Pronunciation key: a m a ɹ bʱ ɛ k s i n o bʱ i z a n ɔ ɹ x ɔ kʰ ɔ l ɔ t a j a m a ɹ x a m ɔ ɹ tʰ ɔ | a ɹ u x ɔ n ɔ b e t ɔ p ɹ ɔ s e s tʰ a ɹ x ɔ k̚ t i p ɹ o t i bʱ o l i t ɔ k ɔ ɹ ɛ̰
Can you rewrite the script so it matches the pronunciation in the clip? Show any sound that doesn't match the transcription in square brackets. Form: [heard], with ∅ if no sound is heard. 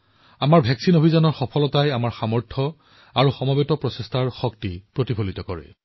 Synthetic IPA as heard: a m a ɹ bʱ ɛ k s i n o bʱ i z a n ɔ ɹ x ɔ [pʰ] ɔ l ɔ t a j a m a ɹ x a m ɔ ɹ tʰ ɔ | a ɹ u x ɔ [m] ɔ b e t ɔ p ɹ ɔ s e s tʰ a ɹ x ɔ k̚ t i p ɹ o t i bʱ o l i t ɔ k ɔ ɹ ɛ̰